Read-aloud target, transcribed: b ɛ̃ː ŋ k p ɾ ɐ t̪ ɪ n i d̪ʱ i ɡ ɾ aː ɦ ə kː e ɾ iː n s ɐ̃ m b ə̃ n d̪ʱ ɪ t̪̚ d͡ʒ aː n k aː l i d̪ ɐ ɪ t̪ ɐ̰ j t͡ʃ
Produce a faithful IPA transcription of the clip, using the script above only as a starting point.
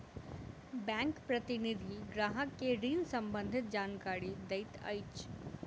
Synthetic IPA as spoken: b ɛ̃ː ŋ k p ɾ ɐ t̪ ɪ n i d̪ʱ i ɡ ɾ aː ɦ ə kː e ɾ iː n s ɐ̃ m b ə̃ n d̪ʱ ɪ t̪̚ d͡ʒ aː n k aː ɾ i d̪ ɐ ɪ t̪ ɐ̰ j t͡ʃ